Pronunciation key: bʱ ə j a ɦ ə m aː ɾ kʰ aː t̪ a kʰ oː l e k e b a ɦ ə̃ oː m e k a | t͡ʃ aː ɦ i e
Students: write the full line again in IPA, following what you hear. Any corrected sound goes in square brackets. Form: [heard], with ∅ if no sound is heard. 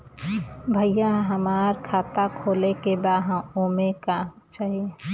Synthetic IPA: bʱ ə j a ɦ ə m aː ɾ kʰ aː t̪ a kʰ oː l e k e b a ɦ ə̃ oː m e k a | t͡ʃ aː ɦ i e